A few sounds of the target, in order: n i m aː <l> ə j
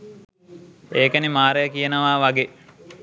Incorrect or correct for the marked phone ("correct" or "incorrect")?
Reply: incorrect